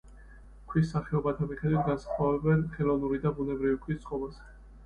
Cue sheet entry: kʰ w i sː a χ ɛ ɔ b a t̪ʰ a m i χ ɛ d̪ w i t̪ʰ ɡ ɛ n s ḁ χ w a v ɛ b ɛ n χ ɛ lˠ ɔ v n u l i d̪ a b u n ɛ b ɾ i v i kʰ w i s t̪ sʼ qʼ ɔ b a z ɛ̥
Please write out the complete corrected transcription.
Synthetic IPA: kʰ w i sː a χ ɛ ɔ b a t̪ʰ a m i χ ɛ d̪ w i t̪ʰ ɡ a n s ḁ χ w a v ɛ b ɛ n χ ɛ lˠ ɔ v n u ɾ i d̪ a b u n ɛ b ɾ i v i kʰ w i s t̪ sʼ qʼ ɔ b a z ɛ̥